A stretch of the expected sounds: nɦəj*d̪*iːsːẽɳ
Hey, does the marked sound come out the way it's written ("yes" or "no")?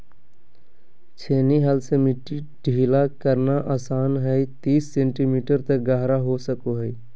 no